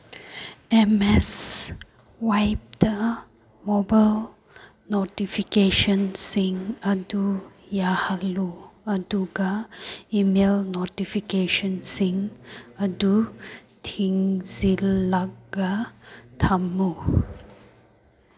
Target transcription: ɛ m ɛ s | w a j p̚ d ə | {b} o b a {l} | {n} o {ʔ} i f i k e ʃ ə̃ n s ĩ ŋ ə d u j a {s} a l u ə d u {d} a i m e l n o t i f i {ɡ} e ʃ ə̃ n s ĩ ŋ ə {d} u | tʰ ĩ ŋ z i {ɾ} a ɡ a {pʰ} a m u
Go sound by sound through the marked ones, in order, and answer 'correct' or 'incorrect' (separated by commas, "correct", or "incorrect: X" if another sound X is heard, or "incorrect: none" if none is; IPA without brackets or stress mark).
incorrect: m, correct, correct, incorrect: t, incorrect: h, incorrect: ɡ, incorrect: k, correct, incorrect: l, incorrect: tʰ